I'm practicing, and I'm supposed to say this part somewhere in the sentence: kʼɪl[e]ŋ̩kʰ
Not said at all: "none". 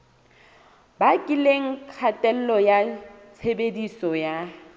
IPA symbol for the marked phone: e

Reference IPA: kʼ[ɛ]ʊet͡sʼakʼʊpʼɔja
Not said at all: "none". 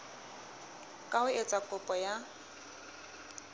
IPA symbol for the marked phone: a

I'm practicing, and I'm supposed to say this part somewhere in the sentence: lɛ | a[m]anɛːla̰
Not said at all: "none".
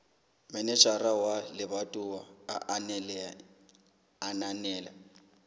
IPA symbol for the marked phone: n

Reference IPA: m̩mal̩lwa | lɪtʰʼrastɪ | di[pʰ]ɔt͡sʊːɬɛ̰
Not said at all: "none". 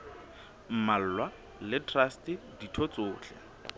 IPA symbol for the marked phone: tʰ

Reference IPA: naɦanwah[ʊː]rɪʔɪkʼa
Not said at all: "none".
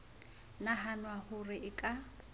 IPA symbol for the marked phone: ʊ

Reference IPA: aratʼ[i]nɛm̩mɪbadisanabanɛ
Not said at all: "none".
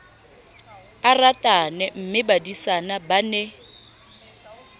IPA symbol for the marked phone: a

